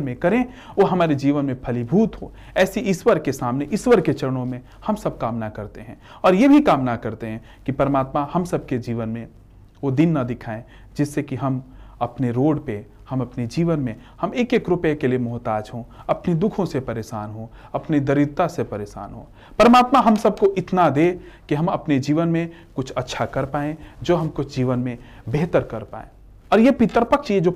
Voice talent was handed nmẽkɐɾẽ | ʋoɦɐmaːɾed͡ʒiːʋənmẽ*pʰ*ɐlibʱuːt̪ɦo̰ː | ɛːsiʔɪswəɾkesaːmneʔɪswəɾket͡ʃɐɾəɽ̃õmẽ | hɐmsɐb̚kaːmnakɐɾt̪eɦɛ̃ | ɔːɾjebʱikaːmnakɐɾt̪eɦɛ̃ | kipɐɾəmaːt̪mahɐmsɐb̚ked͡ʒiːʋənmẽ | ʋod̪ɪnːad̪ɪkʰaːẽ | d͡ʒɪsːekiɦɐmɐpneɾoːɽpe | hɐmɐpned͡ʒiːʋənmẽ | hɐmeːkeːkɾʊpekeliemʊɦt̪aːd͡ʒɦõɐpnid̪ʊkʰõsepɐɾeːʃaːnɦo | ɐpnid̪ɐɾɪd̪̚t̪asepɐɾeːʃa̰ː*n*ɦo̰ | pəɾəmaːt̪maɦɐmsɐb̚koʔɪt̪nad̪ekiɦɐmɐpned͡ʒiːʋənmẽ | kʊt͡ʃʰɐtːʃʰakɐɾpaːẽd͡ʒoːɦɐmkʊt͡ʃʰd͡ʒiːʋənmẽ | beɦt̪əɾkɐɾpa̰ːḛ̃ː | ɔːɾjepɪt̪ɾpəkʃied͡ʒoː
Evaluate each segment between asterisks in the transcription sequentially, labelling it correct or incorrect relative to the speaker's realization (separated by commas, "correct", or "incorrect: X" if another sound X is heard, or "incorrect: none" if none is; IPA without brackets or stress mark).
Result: correct, correct